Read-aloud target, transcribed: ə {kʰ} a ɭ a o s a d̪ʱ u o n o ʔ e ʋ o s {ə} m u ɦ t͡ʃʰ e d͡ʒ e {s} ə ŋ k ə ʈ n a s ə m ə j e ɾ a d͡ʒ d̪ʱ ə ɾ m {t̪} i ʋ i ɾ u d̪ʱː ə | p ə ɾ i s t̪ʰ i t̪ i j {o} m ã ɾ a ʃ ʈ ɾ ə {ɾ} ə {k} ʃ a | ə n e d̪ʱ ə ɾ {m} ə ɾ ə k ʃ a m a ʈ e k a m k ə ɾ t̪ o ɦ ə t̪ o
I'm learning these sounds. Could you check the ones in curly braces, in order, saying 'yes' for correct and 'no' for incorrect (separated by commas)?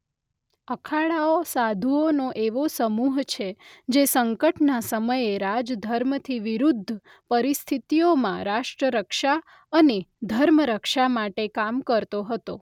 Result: yes, yes, yes, no, yes, yes, yes, yes